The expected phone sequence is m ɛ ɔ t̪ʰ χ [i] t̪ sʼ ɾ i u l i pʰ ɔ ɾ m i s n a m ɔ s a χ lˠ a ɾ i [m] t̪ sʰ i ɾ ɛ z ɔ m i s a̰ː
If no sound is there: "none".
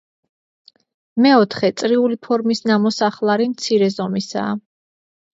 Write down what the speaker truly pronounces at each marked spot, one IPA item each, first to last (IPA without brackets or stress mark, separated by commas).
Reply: ɛ, m